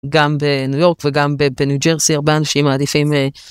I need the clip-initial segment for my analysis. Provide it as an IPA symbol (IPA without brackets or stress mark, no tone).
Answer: ɡ